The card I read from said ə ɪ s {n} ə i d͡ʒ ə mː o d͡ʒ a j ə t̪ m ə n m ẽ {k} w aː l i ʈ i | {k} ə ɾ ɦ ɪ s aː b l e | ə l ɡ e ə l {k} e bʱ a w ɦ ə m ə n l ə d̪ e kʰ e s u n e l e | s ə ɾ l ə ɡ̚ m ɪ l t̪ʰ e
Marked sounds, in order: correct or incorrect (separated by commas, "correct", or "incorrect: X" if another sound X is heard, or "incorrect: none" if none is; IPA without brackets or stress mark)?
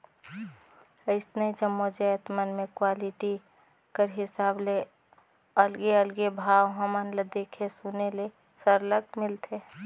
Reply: correct, correct, correct, incorrect: ɡ